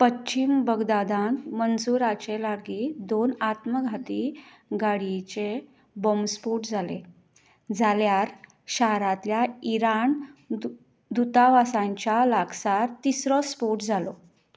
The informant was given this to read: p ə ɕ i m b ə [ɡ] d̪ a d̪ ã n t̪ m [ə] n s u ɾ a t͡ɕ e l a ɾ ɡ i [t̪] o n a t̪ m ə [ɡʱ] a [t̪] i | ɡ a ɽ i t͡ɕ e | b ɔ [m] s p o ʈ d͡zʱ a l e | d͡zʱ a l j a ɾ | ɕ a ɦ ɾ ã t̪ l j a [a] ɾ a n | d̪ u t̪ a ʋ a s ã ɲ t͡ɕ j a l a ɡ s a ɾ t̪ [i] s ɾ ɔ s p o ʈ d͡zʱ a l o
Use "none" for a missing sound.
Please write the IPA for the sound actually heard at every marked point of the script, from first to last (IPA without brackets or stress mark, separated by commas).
ɡ, ə, d̪, ɡʱ, t̪, m, i, i